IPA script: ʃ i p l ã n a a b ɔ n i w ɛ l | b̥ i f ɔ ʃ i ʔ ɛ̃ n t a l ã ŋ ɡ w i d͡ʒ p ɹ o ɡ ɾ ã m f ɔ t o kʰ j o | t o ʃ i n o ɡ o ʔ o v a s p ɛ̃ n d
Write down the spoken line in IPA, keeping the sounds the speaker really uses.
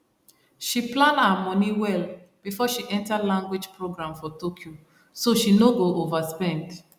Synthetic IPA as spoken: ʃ i p l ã n a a m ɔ n i w ɛ l | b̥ i f ɔ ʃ i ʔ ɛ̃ n t a l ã ŋ ɡ w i d͡ʒ p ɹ o ɡ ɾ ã m f ɔ t o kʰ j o | s o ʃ i n o ɡ o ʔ o v a s p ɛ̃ n d